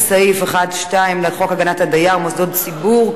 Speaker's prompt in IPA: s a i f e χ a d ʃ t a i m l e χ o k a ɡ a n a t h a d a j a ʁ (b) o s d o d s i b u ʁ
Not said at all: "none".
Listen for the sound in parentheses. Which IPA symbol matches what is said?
m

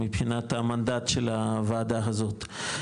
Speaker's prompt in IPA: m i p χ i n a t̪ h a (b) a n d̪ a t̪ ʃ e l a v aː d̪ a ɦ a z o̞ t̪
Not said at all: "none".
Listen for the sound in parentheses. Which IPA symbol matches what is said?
m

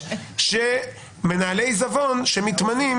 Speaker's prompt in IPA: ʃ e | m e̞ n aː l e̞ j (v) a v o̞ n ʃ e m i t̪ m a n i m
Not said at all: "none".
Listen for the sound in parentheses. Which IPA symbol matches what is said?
z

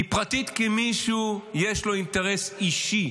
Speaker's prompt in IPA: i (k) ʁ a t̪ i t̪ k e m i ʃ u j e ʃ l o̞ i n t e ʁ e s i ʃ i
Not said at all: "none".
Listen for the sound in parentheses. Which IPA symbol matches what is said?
p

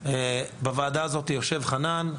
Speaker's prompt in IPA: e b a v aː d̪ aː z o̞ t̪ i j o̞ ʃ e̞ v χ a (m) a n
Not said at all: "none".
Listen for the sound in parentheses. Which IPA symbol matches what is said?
n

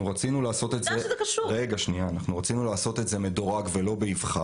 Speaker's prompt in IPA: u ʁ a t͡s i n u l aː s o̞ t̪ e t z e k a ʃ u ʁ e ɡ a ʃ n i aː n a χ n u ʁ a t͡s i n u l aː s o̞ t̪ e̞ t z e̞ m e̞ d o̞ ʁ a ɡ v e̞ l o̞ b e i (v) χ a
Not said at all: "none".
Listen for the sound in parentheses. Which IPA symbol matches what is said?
v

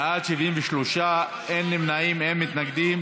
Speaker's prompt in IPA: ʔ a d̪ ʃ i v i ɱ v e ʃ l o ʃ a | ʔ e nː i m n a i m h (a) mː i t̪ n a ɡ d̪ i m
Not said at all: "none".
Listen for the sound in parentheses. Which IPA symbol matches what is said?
e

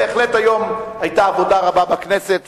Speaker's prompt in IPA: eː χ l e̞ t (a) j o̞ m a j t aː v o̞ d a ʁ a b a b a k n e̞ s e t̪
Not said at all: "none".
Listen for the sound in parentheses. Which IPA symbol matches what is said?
a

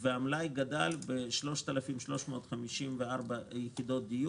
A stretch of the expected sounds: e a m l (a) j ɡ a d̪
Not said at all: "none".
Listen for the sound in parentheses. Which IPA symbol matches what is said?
a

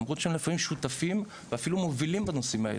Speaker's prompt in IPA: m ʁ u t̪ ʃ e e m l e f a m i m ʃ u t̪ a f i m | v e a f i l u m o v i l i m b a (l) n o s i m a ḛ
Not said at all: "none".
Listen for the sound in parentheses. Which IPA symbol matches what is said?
none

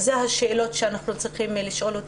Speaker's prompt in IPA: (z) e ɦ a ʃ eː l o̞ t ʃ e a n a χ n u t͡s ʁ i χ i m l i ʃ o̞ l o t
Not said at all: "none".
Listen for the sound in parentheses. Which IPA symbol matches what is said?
z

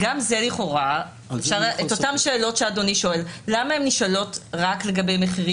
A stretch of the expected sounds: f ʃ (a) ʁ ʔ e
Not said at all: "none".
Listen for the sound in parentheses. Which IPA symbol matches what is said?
a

